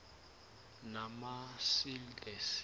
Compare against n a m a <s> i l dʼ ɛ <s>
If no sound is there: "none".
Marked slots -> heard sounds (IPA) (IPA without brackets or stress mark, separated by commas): s, s